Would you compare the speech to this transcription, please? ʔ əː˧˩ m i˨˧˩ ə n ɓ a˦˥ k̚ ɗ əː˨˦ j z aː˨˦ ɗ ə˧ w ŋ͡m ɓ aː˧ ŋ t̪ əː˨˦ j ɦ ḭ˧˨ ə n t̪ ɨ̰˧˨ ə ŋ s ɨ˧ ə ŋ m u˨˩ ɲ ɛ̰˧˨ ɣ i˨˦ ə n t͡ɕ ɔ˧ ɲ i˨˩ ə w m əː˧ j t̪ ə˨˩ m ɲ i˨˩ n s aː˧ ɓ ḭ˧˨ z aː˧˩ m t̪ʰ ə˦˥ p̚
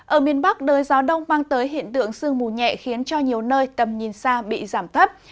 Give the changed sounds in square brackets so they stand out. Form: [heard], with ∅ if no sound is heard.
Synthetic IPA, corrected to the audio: ʔ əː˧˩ m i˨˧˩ ə n ɓ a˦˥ k̚ ɗ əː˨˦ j z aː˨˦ ɗ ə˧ w ŋ͡m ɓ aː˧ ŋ t̪ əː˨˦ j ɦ ḭ˧˨ ə n t̪ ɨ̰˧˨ ə ŋ s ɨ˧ ə ŋ m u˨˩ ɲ ɛ̰˧˨ [x] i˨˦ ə n t͡ɕ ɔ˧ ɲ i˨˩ ə w [n] əː˧ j t̪ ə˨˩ m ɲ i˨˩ n s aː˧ ɓ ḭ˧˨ z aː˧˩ m t̪ʰ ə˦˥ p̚